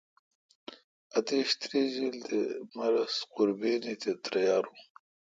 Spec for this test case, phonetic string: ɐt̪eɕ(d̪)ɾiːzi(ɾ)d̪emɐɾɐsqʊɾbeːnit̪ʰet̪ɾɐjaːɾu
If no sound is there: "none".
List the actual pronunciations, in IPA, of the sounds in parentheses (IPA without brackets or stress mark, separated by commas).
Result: t̪, l